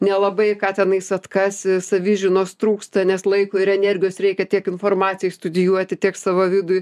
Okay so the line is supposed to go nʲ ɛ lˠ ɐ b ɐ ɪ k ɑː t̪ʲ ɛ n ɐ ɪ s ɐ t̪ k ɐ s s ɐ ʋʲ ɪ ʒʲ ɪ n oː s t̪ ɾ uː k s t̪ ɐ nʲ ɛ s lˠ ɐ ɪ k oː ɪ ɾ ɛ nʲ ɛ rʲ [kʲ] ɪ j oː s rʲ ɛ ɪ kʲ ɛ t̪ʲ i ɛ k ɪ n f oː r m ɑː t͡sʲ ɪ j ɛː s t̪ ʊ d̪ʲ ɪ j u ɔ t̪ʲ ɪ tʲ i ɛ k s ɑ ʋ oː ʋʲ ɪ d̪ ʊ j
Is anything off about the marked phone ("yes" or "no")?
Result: yes